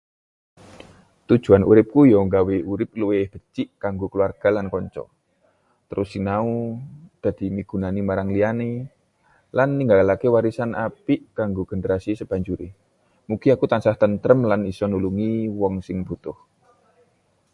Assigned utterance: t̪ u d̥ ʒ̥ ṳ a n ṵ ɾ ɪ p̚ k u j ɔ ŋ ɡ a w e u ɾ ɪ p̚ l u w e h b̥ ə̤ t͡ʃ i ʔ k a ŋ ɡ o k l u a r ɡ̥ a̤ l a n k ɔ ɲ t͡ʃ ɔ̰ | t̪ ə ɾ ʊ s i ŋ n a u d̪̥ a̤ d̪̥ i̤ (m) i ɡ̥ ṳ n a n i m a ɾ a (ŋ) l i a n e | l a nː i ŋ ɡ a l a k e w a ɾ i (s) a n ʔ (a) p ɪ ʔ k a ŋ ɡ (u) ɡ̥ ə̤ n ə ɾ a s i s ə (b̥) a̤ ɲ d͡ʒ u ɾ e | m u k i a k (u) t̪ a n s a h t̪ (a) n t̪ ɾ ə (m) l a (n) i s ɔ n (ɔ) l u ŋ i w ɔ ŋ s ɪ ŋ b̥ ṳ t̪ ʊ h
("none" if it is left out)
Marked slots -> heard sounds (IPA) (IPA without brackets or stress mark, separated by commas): m, ŋ, s, a, o, b̥, u, ə, m, n, u